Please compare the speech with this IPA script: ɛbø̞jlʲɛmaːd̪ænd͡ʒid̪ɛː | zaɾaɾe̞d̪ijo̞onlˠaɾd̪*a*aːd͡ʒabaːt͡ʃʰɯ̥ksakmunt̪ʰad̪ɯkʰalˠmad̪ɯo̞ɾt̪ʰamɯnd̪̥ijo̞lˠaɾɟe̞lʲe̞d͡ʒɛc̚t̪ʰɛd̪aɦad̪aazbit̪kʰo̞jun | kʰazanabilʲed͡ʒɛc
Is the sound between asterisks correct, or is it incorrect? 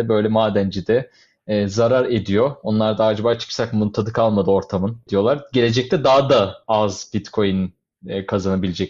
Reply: correct